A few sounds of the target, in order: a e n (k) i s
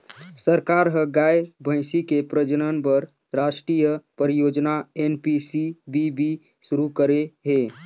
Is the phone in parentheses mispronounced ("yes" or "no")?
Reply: yes